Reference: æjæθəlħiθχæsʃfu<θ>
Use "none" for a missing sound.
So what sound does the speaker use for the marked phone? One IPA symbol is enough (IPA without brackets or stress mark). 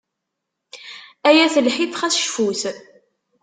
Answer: θ